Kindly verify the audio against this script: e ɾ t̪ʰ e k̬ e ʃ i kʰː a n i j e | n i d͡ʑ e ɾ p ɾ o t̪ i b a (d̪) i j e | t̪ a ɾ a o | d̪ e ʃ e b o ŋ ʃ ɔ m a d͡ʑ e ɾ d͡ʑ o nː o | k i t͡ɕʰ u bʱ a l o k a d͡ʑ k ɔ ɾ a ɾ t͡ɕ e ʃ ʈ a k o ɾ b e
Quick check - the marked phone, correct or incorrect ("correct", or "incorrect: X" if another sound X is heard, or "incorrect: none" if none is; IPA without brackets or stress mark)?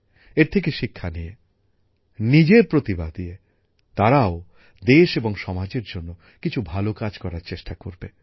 correct